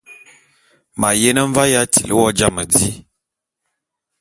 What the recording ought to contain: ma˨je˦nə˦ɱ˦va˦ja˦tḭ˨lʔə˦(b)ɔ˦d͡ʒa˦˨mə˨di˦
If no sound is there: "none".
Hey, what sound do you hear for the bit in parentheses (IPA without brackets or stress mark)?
w